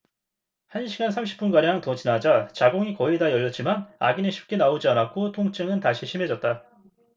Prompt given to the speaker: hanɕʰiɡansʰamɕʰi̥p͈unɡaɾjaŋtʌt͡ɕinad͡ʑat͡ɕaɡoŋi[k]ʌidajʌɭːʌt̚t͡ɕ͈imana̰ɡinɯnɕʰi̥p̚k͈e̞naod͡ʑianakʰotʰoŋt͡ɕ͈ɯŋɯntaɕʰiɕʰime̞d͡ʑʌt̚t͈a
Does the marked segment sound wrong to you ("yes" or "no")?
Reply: no